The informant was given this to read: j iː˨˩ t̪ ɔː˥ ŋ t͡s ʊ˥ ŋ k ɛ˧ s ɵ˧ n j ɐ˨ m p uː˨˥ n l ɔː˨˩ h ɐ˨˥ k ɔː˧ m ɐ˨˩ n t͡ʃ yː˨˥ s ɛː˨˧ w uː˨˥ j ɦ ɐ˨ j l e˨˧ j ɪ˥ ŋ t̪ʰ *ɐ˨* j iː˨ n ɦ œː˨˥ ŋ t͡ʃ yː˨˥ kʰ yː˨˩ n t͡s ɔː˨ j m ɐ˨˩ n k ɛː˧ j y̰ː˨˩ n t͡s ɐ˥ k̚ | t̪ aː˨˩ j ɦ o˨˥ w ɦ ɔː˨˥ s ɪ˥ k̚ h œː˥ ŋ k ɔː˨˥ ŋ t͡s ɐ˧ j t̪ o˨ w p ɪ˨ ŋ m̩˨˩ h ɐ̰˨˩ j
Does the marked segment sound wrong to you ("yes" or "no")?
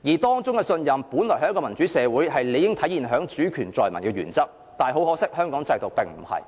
yes